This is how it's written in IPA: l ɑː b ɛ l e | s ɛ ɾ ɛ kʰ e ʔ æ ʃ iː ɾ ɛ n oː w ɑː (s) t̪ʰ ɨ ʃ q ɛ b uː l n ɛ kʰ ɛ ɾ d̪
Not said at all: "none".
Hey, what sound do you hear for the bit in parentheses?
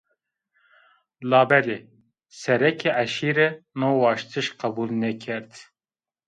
ʃ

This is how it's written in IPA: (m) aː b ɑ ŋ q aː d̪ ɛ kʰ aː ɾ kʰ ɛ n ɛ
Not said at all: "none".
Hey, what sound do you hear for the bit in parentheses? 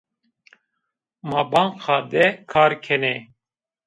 m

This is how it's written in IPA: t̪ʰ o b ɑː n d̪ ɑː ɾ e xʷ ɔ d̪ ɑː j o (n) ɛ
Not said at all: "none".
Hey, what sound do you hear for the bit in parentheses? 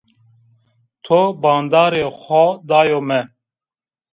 m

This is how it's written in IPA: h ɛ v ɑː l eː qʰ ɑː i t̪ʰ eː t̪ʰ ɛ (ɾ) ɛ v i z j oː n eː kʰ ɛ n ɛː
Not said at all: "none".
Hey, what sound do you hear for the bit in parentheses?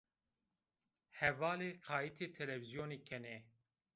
l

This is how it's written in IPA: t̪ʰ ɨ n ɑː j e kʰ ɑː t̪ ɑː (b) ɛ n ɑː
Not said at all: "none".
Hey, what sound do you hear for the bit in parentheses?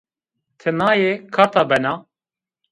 b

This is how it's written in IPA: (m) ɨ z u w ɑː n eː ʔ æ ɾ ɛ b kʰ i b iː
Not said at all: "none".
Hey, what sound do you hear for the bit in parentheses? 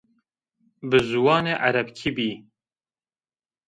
b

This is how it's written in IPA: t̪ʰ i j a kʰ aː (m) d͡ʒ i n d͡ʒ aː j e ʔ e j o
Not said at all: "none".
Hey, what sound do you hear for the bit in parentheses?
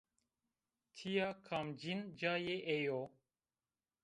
m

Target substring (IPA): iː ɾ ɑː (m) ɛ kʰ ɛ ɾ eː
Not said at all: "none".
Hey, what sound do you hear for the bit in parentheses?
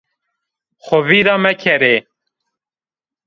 m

